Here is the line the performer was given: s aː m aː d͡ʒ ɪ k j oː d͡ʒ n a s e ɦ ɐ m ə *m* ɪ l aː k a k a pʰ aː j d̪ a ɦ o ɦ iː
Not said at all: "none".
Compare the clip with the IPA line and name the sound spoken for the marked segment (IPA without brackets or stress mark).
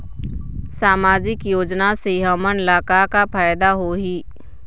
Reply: n